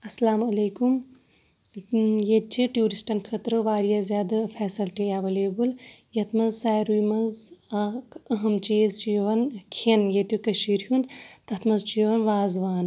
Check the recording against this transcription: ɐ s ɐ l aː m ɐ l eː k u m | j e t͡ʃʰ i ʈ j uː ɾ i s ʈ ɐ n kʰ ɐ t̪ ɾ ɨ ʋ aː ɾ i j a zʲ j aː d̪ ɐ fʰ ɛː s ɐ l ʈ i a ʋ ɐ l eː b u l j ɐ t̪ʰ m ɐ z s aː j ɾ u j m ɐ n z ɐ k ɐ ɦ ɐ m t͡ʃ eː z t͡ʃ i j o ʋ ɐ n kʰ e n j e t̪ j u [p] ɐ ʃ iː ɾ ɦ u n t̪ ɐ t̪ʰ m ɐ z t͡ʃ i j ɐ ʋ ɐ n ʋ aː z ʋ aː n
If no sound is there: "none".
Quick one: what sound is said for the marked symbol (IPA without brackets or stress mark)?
k